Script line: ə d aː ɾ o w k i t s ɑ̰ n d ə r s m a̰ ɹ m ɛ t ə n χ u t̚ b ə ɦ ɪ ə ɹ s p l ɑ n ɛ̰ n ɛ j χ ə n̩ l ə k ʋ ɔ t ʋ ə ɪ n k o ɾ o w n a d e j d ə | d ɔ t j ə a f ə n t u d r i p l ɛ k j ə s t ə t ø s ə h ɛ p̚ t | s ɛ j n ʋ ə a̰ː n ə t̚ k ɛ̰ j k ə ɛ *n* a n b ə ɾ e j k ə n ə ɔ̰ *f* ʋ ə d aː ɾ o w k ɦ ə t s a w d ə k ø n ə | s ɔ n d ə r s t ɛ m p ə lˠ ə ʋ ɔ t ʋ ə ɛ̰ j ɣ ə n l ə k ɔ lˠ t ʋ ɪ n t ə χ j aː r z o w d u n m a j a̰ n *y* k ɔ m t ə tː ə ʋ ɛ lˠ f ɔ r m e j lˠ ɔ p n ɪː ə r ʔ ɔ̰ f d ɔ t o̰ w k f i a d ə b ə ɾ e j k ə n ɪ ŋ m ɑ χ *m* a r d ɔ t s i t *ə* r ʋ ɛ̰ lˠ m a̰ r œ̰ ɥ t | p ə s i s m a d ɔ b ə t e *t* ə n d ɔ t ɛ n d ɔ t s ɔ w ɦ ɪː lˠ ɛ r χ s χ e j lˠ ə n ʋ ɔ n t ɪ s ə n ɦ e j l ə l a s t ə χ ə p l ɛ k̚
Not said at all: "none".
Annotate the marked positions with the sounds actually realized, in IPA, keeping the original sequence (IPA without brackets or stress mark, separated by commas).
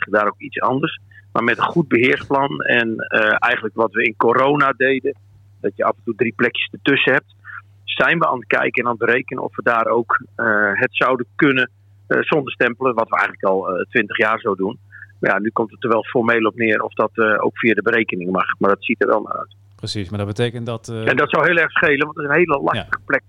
n, f, y, m, ə, k